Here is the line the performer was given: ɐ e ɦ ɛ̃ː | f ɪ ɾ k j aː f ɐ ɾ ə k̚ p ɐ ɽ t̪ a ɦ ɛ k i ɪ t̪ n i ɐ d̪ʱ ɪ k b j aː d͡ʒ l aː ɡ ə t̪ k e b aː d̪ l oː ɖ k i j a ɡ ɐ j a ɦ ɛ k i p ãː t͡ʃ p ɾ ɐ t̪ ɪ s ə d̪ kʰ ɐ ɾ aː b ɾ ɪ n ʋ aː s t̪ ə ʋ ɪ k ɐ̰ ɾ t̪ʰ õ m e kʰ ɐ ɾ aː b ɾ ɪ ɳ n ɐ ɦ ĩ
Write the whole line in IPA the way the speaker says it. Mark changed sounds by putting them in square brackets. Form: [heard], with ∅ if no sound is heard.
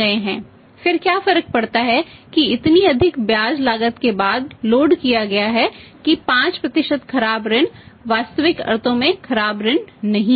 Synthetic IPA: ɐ e ɦ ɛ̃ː | f ɪ ɾ k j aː f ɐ ɾ ə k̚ p ɐ ɽ t̪ a ɦ ɛ k i ɪ t̪ n i ɐ d̪ʱ ɪ k b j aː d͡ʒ l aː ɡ ə t̪ k e b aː d̪ l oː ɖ k i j a ɡ ɐ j a ɦ ɛ k i p ãː t͡ʃ p ɾ ɐ t̪ ɪ [ʃ] ə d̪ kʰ ɐ ɾ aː b ɾ ɪ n ʋ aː s t̪ ə ʋ ɪ k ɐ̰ ɾ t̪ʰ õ m [ẽ] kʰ ɐ ɾ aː b ɾ ɪ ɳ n ɐ ɦ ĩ